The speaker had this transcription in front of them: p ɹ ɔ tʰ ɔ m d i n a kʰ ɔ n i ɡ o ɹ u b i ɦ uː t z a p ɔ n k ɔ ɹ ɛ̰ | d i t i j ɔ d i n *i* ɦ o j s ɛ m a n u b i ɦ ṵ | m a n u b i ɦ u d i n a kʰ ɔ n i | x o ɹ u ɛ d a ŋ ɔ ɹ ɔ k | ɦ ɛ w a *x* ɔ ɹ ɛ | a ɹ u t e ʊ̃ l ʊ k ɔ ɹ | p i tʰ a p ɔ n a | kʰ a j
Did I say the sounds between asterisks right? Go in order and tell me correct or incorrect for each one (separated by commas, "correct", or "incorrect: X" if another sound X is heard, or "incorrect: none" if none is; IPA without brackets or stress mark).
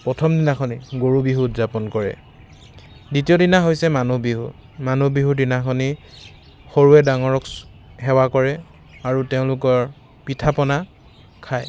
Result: incorrect: a, incorrect: k